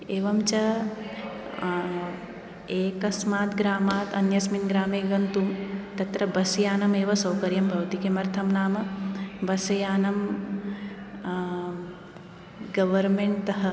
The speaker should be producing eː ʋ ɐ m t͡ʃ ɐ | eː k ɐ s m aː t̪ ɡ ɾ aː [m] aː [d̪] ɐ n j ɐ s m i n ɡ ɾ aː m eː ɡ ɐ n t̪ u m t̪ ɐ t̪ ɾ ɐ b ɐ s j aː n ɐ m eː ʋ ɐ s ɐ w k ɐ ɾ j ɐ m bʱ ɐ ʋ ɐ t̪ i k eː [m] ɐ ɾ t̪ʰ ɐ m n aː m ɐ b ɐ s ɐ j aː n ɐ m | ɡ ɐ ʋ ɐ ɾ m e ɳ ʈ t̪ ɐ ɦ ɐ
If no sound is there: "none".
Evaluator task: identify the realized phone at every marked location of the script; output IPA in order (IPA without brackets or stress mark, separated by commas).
m, t̪, m